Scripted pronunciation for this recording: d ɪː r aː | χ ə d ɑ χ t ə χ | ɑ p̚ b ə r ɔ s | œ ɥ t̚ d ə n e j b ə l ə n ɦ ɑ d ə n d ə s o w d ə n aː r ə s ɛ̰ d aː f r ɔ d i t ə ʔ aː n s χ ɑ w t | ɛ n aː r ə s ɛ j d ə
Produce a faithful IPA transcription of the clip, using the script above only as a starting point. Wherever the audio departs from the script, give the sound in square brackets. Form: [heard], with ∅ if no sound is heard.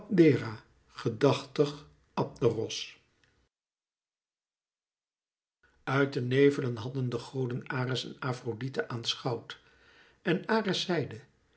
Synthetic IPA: d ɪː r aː | χ ə d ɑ χ t ə χ | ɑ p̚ [d] ə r ɔ s | œ ɥ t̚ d ə n e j [v] ə l ə n ɦ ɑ d ə n d ə [χ] o w d ə n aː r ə s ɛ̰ [n] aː f r [o] d i t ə ʔ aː n s χ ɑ w t | ɛ n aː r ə s ɛ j d ə